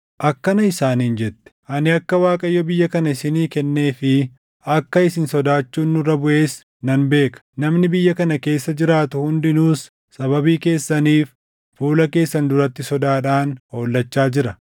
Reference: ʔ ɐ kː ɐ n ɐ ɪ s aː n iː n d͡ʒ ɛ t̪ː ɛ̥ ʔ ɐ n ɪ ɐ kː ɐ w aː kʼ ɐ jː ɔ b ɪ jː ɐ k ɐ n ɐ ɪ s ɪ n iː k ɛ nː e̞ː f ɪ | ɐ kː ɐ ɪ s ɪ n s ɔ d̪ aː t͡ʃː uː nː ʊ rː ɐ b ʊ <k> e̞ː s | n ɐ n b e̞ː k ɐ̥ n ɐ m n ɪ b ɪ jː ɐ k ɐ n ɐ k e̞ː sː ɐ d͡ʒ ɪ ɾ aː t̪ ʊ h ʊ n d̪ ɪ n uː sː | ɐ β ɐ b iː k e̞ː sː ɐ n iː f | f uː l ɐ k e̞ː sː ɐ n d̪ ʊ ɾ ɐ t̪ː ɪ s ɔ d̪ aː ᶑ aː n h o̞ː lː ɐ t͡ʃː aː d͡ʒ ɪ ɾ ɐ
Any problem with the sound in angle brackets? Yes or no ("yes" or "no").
yes